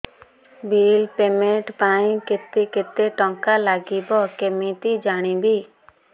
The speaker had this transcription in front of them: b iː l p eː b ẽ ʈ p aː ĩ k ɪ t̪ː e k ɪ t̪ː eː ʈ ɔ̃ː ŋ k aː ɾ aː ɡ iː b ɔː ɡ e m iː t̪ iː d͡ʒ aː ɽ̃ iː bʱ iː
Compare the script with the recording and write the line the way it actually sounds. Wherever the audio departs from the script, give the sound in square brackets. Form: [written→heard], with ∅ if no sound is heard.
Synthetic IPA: b iː l p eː [b→m] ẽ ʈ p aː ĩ k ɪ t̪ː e k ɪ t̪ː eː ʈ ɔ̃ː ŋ k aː [ɾ→l] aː ɡ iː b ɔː [ɡ→k] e m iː t̪ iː d͡ʒ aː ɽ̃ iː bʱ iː